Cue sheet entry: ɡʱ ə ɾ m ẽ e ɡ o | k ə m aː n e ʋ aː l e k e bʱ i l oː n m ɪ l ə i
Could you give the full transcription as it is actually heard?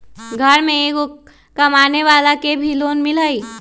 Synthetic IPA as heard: ɡʱ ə ɾ m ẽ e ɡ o | k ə m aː n e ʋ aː l a k e bʱ i l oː n m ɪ l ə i